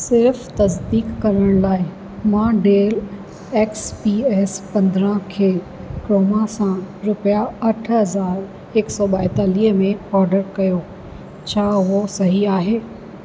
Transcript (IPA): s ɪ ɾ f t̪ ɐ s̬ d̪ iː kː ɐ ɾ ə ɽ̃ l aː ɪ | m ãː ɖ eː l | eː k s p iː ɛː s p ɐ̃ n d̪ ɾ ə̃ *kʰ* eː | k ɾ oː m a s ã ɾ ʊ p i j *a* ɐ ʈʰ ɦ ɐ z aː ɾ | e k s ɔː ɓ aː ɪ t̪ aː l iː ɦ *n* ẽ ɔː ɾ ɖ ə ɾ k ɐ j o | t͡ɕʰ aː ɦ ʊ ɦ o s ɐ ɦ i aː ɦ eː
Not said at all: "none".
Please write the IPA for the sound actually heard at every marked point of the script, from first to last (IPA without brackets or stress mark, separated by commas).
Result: kʰ, a, m